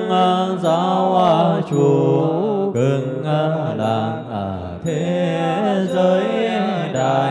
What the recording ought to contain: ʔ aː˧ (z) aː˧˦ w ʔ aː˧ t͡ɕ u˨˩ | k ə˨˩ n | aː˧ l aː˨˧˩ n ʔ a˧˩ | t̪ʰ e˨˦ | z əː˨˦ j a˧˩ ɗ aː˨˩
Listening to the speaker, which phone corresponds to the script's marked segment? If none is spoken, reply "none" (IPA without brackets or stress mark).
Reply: z